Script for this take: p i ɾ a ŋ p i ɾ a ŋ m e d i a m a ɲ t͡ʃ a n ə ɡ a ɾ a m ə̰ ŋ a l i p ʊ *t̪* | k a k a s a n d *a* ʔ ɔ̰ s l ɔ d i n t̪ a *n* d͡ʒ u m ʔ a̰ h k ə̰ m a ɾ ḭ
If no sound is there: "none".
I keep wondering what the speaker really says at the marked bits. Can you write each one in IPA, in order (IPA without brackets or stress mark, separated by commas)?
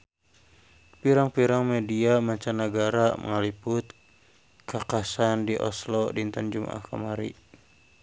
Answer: t̪, i, n